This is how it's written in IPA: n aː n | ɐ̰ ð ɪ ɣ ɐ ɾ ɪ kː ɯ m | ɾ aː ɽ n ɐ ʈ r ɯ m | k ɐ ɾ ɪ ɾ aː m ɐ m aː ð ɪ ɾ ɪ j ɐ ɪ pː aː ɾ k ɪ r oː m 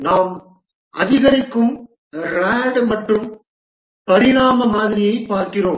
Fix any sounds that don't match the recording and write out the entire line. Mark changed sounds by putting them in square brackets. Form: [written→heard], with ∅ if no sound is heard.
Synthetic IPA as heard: n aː [n→m] | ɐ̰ ð ɪ ɣ ɐ ɾ ɪ kː ɯ m | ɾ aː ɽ [n→m] ɐ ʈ r ɯ m | [k→p] ɐ ɾ ɪ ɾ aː m ɐ m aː ð ɪ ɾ ɪ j ɐ ɪ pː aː ɾ k ɪ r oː m